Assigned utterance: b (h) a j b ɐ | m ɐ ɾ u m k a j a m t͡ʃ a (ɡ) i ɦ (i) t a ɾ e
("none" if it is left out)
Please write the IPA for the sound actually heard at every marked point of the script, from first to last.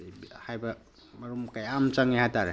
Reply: h, ŋ, a

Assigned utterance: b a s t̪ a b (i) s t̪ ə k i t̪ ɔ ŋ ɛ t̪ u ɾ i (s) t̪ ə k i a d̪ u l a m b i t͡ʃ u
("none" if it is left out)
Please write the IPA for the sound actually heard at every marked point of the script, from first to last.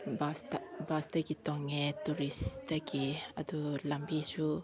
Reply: a, s

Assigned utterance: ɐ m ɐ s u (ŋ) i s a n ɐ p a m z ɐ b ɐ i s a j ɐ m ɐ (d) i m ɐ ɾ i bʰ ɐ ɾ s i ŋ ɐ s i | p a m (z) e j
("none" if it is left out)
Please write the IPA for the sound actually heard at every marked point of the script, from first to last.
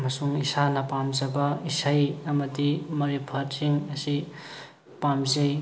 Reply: ŋ, d, z

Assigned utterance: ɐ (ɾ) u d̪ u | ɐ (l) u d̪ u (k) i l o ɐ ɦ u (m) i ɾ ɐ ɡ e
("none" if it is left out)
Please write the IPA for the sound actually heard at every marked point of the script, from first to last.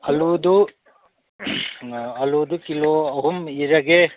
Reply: l, l, k, m

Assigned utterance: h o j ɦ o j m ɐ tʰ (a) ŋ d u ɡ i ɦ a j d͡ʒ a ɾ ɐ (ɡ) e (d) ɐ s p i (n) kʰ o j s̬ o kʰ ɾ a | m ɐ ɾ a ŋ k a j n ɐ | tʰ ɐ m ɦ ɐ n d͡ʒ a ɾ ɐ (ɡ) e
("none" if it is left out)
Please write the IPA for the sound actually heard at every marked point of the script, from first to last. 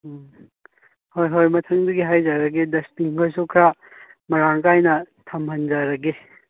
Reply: ɐ, ɡ, d, ŋ, ɡ

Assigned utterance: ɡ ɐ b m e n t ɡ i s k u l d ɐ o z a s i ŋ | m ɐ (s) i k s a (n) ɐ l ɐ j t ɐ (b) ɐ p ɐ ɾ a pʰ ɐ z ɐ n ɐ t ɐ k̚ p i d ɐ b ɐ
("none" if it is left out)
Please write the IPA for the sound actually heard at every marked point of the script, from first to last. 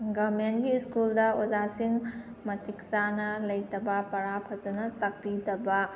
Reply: t, n, b

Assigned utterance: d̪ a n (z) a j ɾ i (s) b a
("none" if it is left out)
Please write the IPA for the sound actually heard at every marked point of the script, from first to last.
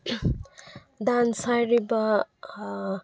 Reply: s, none

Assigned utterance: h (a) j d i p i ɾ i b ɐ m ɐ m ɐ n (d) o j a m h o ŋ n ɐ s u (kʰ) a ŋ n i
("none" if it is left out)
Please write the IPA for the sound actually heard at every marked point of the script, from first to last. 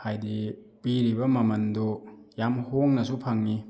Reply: a, d, pʰ

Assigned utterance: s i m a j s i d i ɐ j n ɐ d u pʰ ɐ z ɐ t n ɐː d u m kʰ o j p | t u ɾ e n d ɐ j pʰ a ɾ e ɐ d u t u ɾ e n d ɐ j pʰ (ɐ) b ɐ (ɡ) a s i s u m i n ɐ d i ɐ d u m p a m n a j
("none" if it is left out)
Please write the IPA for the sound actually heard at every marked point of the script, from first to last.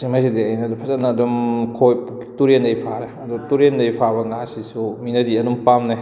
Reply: a, ŋ

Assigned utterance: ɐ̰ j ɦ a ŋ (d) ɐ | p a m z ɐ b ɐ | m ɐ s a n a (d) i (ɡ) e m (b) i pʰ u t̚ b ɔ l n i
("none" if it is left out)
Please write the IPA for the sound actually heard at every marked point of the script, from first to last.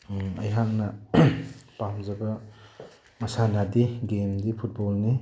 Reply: n, d, ɡ, d

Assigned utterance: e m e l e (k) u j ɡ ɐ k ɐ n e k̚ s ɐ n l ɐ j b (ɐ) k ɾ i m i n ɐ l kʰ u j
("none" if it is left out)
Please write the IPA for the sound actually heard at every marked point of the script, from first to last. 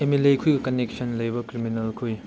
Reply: kʰ, ɐ

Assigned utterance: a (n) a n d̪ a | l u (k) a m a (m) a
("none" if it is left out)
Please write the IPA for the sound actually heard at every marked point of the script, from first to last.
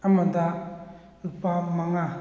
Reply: m, p, ŋ

